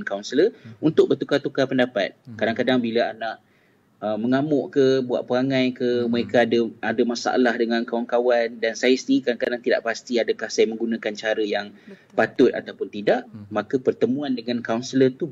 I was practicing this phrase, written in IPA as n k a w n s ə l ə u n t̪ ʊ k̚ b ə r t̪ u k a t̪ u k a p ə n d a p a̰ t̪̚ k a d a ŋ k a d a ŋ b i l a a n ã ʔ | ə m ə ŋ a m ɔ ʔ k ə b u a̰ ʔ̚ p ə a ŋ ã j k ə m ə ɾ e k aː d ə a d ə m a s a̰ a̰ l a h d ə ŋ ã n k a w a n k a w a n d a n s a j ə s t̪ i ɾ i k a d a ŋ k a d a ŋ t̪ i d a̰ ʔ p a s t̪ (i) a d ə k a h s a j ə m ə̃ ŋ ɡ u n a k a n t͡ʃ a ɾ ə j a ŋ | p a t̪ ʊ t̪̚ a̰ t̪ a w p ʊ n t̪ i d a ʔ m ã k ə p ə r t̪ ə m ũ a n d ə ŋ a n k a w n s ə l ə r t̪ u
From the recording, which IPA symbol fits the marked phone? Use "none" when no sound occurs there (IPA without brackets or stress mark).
i